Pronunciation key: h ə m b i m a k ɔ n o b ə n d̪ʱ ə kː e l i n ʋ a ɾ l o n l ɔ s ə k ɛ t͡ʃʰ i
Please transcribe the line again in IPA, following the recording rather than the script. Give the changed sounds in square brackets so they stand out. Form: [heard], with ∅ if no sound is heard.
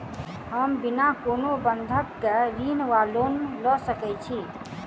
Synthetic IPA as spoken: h ə m b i [n] a k [o] n o b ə n d̪ʱ ə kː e [ɾ] i n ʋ a [∅] l o n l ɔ s ə k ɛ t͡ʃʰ i